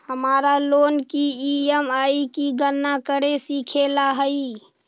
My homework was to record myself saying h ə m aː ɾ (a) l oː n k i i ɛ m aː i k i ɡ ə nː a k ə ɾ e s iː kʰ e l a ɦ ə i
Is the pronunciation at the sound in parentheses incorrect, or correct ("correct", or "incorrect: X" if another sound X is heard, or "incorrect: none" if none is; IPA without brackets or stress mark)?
correct